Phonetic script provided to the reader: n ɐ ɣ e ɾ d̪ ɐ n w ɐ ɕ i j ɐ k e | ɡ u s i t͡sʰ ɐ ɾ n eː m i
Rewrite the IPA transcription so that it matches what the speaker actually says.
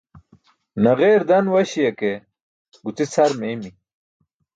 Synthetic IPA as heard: n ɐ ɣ e ɾ d̪ ɐ n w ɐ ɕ i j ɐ k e | ɡ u t͡s i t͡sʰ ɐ ɾ m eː m i